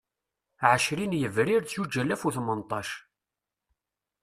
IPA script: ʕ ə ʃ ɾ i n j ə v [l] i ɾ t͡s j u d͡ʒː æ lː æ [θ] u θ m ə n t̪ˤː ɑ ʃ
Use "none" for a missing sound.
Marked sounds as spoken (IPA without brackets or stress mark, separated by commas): ɾ, f